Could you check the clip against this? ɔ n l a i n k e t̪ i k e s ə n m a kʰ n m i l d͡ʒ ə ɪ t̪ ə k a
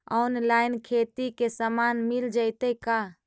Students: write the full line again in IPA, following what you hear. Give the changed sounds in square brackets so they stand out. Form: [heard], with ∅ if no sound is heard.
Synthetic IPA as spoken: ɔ n l a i n [kʰ] e t̪ i k e s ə [∅] m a [∅] n m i l d͡ʒ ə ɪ t̪ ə k a